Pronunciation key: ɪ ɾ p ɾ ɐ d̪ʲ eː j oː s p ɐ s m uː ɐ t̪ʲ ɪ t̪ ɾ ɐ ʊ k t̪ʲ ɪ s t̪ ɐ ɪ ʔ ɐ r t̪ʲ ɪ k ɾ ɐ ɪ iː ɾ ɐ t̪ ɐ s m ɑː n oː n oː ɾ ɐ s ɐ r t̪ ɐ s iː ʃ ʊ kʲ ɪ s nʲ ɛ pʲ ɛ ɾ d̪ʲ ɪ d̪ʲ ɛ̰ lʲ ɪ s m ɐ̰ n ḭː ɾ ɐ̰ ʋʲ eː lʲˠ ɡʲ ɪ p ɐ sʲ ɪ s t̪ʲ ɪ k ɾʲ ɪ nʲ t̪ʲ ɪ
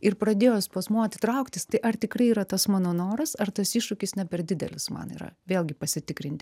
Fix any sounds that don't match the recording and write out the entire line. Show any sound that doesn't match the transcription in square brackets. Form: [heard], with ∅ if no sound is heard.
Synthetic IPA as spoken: ɪ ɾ p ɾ ɐ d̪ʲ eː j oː s p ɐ s m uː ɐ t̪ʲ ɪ t̪ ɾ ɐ ʊ k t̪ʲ ɪ s t̪ ɐ ɪ ʔ ɐ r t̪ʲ ɪ k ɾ ɐ ɪ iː ɾ ɐ t̪ ɐ s m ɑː n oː n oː ɾ ɐ s ɐ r t̪ ɐ s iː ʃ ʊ kʲ ɪ s nʲ ɛ pʲ ɛ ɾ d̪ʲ ɪ d̪ʲ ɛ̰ lʲ ɪ s m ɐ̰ n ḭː ɾ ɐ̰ ʋʲ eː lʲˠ ɡʲ ɪ p ɐ sʲ ɪ [∅] t̪ʲ ɪ k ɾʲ ɪ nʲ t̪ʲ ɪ